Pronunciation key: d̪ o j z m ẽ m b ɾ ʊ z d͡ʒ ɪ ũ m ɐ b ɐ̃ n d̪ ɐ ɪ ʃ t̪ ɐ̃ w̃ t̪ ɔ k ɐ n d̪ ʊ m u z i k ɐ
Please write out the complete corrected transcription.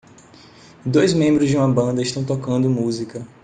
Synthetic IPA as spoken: d̪ o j z m ẽ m b ɾ ʊ z d͡ʒ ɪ ũ m ɐ b ɐ̃ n d̪ ɐ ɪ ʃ t̪ ɐ̃ w̃ t̪ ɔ k ɐ̃ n d̪ ʊ m u z i k ɐ